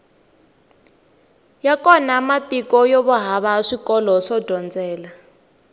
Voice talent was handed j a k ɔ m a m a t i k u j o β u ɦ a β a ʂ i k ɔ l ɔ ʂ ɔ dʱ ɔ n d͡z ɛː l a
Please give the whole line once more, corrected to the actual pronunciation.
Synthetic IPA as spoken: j a k ɔ n a m a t i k ɔ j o β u ɦ a β a ʂ i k ɔ l ɔ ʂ ɔ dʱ ɔ n d͡z ɛː l a